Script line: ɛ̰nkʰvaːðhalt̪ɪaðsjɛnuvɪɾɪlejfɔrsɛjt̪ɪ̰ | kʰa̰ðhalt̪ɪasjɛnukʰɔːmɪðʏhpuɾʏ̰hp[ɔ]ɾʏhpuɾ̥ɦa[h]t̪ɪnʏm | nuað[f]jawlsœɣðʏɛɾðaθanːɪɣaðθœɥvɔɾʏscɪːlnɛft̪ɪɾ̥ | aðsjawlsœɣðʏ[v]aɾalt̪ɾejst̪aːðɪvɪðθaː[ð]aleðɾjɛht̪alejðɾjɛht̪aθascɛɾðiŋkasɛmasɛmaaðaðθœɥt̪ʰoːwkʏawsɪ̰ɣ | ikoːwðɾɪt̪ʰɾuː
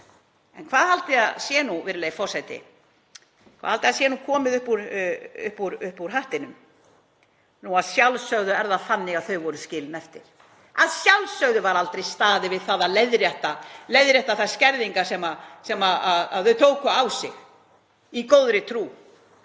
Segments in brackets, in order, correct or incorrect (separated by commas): incorrect, correct, incorrect, correct, correct